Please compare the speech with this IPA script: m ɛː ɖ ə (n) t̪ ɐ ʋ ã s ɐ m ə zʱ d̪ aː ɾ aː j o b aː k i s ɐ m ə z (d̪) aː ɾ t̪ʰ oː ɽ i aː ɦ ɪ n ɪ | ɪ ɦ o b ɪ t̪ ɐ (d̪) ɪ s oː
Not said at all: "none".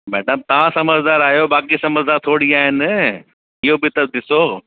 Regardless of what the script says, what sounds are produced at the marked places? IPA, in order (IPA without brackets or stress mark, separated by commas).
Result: m, d̪, d̪